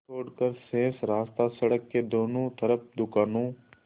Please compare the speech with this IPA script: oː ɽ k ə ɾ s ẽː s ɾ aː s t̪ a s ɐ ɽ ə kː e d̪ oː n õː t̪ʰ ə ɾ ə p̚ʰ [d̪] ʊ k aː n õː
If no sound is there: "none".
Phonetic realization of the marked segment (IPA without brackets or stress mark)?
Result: d̪